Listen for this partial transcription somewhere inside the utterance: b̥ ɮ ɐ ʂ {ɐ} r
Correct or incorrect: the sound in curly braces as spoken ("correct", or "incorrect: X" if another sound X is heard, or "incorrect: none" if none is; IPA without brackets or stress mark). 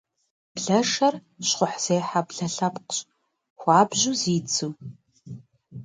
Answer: correct